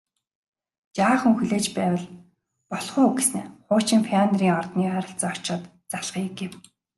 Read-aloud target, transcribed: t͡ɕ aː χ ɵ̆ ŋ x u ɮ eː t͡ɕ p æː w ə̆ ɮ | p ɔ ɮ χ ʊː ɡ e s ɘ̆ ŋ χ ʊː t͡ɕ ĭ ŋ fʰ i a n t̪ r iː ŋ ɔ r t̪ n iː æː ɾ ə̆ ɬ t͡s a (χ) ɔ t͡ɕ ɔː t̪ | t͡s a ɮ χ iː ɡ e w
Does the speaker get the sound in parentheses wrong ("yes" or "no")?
yes